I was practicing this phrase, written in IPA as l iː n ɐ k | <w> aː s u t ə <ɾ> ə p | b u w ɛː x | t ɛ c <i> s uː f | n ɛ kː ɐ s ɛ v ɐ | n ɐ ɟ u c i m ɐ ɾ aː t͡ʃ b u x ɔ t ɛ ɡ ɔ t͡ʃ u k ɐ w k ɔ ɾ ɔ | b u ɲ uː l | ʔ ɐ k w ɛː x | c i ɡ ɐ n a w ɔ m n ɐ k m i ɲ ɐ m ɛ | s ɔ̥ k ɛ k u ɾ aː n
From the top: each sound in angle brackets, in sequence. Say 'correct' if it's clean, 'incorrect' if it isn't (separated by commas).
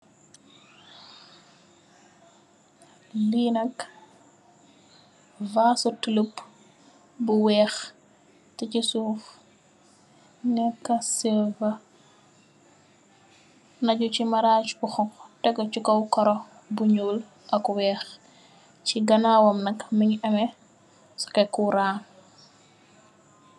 incorrect, incorrect, correct